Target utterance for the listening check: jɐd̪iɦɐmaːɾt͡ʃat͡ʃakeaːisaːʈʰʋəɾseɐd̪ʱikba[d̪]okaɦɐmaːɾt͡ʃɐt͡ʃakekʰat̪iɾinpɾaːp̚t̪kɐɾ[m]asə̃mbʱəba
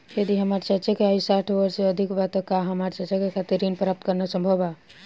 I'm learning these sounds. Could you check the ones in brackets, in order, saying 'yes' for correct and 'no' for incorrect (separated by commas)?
no, no